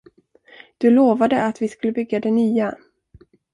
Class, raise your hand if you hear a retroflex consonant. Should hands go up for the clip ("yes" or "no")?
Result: no